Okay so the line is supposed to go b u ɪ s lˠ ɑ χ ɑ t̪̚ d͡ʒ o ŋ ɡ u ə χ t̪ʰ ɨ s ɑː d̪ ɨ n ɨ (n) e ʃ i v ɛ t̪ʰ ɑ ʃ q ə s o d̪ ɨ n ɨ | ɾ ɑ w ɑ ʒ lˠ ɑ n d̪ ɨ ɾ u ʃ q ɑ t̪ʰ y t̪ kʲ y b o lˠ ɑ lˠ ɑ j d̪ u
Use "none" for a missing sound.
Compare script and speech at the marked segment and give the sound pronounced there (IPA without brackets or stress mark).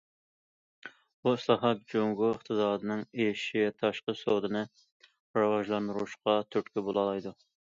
ŋ